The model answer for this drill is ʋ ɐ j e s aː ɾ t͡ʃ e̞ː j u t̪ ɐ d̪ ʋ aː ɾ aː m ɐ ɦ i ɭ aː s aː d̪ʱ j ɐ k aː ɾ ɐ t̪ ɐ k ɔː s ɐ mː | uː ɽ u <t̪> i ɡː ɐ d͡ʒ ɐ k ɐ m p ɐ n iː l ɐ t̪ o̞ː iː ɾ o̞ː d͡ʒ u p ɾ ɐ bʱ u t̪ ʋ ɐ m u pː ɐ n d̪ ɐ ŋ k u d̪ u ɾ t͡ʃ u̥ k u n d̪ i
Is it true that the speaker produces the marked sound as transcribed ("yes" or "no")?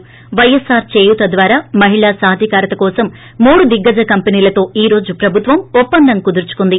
no